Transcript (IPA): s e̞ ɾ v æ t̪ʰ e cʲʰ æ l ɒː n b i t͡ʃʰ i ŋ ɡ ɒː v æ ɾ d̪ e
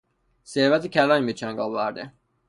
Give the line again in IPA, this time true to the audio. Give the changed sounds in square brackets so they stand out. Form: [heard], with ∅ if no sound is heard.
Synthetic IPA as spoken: s e̞ ɾ v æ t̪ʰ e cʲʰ æ l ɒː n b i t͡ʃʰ [æ] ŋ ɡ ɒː v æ ɾ d̪ e